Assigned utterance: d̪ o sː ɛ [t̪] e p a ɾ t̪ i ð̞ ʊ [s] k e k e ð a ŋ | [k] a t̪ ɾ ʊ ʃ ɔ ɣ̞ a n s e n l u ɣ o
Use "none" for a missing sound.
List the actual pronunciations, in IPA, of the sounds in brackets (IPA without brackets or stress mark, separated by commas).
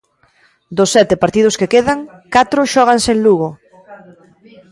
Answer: t̪, s, k